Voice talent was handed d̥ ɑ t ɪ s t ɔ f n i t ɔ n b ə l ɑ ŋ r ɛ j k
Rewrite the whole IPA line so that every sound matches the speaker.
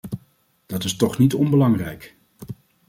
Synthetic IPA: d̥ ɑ t ɪ s t ɔ χ n i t ɔ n b ə l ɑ ŋ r ɛ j k